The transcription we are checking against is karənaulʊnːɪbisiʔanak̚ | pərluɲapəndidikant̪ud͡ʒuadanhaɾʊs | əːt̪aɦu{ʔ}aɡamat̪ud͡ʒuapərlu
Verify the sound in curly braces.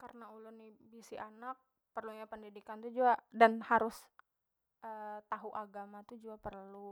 correct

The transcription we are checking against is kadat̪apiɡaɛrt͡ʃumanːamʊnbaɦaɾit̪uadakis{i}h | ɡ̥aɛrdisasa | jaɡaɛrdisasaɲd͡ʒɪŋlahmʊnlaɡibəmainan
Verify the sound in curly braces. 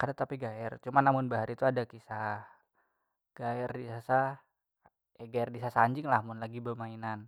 incorrect: a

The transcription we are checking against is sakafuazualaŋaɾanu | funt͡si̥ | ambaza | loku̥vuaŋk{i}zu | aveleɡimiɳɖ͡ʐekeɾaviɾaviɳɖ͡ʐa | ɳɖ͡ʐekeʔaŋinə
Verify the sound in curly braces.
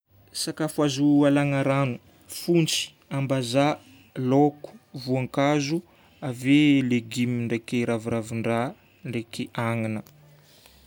incorrect: a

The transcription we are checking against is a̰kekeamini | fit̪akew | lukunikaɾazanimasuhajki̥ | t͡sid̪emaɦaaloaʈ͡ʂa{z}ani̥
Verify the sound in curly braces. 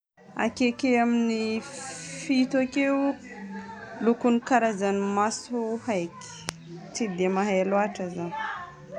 correct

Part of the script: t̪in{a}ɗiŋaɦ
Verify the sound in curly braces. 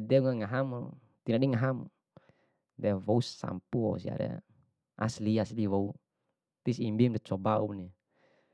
correct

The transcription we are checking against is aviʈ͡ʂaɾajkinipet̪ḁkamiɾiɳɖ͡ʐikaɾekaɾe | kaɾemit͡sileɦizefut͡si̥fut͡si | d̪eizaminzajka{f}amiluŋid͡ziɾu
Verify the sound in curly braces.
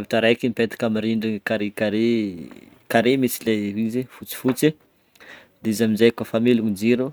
correct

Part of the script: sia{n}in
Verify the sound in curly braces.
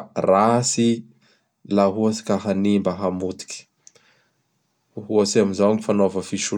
incorrect: m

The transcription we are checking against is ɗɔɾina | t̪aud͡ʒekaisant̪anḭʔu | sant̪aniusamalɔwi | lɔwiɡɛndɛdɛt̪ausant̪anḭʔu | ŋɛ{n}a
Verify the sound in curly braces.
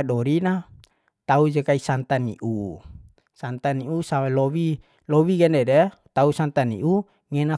correct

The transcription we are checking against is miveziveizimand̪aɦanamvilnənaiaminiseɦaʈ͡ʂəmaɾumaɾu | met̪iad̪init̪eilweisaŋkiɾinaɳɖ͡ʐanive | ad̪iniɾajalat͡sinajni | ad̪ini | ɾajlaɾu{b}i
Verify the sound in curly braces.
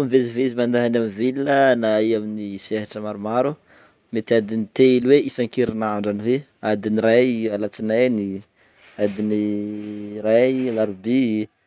correct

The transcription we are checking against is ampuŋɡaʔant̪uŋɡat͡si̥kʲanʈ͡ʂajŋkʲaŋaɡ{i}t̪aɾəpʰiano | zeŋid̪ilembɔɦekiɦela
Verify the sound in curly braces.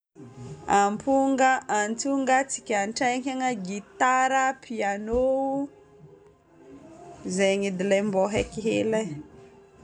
correct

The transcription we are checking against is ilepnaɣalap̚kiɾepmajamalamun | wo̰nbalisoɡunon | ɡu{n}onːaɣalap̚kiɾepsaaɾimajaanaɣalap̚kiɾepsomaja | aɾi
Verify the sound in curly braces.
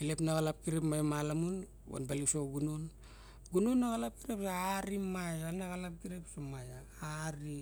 correct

